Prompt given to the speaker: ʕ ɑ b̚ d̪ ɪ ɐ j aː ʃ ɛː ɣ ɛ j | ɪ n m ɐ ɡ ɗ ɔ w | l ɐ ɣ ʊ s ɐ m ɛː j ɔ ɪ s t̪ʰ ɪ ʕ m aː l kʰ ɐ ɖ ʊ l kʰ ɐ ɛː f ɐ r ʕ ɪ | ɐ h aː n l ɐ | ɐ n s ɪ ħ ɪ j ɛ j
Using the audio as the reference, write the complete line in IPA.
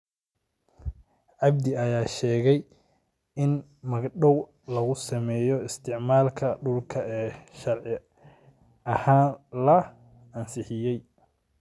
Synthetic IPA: ʕ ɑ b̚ d̪ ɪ ɐ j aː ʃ ɛː ɣ ɛ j | ɪ n m ɐ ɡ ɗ ɔ w | l ɐ ɣ ʊ s ɐ m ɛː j ɔ ɪ s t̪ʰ ɪ ʕ m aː l kʰ ɐ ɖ ʊ l kʰ ɐ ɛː ʃ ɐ r ʕ ɪ | ɐ h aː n l ɐ | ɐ n s ɪ ħ ɪ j ɛ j

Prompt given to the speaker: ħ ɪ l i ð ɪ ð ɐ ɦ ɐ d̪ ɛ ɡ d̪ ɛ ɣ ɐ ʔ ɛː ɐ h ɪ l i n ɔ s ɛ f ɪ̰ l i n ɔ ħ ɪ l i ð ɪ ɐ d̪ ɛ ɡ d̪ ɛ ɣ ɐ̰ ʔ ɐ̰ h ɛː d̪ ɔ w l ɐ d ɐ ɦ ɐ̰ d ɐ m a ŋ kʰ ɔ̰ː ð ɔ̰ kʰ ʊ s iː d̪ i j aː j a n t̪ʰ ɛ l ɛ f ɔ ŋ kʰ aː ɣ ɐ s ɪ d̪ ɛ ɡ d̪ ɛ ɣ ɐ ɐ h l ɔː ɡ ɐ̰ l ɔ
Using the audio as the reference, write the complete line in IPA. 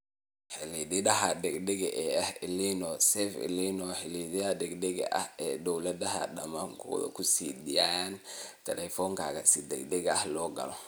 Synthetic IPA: ħ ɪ l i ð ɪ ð ɐ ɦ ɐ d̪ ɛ ɡ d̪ ɛ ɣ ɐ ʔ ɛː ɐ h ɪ l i n ɔ s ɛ f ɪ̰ l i n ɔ ħ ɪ l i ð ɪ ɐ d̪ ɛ ɡ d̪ ɛ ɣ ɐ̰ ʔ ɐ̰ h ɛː d̪ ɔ w l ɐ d ɐ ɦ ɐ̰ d ɐ m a ŋ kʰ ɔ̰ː ð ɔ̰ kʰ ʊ s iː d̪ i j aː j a n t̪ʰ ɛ l ɛ f ɔ ŋ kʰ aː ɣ ɐ s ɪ d̪ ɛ ɡ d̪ ɛ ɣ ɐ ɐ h l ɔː ɡ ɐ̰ l ɔ

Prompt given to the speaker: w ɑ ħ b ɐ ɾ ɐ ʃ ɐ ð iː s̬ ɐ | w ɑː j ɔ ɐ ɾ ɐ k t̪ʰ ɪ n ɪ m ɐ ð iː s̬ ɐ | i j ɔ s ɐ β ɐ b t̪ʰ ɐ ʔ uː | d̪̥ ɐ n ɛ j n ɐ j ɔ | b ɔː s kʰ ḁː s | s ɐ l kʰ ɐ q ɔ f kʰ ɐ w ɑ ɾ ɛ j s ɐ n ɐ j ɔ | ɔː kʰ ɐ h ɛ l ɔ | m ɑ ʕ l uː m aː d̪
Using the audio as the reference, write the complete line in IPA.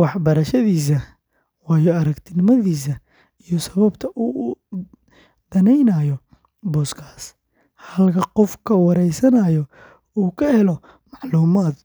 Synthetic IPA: w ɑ ħ b ɐ ɾ ɐ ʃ ɐ ð iː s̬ ɐ | w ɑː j ɔ ɐ ɾ ɐ k t̪ʰ ɪ n ɪ m ɐ ð iː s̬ ɐ | i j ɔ s ɐ β ɐ b t̪ʰ ɐ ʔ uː | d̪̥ ɐ n ɛ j n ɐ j ɔ | b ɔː s kʰ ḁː s | h ɐ l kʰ ɐ q ɔ f kʰ ɐ w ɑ ɾ ɛ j s ɐ n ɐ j ɔ | uː kʰ ɐ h ɛ l ɔ | m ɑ ʕ l uː m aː d̪

